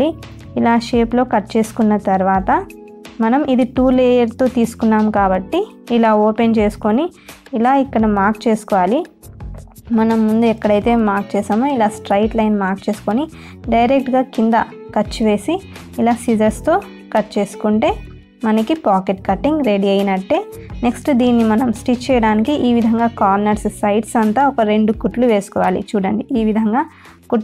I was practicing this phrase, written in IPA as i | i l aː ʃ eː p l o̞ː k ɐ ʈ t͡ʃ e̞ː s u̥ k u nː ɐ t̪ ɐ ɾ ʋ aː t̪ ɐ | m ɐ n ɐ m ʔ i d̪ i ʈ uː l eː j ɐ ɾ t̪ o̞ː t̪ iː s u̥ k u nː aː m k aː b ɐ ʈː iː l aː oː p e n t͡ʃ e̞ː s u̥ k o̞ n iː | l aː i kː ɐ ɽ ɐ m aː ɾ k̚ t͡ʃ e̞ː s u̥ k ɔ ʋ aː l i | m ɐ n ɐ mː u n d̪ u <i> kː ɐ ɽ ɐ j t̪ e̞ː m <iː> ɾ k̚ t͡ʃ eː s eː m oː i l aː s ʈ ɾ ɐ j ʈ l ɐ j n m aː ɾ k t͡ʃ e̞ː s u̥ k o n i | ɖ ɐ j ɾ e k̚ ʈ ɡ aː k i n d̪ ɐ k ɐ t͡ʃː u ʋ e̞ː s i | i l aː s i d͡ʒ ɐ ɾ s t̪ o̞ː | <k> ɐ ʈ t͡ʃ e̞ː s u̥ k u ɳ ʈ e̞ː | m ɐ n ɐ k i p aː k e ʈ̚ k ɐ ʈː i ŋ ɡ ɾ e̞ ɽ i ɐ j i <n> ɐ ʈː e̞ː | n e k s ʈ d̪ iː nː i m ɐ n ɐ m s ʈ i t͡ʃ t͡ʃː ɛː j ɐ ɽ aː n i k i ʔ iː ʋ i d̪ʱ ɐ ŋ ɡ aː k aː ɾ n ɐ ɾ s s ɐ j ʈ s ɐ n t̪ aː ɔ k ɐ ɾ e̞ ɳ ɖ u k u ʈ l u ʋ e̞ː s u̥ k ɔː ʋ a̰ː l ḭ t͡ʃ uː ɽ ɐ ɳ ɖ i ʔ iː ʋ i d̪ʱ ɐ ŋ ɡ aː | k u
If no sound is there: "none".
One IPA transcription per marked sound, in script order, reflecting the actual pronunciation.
ɛ, aː, k, n

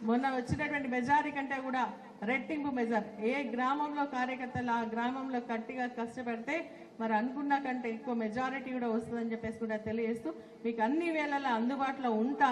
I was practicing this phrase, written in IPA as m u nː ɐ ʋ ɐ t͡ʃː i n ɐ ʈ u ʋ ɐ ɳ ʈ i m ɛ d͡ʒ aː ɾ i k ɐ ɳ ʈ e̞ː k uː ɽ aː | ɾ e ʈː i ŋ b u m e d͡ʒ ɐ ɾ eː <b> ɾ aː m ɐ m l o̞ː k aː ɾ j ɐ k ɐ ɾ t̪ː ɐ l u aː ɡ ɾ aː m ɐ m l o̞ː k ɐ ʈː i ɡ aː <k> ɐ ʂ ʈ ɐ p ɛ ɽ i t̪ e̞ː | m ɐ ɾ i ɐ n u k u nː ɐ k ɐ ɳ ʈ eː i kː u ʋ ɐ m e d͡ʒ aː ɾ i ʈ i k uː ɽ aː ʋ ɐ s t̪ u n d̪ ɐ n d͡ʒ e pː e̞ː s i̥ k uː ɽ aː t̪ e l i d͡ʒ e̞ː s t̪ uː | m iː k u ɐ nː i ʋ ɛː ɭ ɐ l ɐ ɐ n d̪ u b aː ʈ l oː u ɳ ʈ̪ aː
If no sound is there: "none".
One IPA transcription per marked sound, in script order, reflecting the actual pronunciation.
ɡ, k

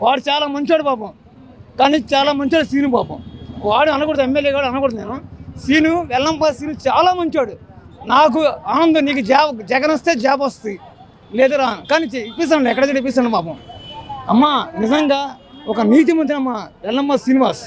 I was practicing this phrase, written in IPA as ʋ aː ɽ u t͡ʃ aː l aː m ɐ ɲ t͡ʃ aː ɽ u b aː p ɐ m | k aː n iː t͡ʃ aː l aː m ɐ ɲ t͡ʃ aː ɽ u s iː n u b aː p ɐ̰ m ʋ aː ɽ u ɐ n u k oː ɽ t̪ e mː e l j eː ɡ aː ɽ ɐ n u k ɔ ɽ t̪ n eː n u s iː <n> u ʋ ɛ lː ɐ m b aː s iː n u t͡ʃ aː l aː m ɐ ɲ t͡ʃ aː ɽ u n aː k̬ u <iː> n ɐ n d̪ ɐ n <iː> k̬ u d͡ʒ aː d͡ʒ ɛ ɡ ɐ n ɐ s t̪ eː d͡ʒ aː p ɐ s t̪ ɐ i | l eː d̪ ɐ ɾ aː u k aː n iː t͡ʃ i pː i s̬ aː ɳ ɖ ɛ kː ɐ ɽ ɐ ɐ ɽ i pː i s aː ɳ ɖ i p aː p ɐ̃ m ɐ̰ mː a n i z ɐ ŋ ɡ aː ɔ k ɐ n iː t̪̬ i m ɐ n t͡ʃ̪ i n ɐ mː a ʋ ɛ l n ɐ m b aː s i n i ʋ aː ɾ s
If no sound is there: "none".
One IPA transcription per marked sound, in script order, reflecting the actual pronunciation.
n, aː, iː

